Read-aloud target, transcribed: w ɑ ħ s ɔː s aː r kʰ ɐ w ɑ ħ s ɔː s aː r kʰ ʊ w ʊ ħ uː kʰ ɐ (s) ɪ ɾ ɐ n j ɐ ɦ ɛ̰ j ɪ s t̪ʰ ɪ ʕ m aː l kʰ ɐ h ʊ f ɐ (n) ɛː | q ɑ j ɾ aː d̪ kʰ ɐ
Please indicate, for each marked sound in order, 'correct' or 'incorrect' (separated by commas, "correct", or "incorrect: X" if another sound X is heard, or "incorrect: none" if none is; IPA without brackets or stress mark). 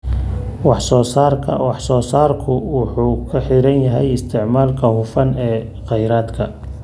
incorrect: ħ, correct